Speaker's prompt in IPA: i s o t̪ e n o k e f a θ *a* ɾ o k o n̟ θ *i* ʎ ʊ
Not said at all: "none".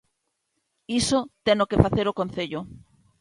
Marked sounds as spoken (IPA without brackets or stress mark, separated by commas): e, e